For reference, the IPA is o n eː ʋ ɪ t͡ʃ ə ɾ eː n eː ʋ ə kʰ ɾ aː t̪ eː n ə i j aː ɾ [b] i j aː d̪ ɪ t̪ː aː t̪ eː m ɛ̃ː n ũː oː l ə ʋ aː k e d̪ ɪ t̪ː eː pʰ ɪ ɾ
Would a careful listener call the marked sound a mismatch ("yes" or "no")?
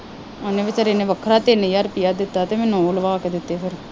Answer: yes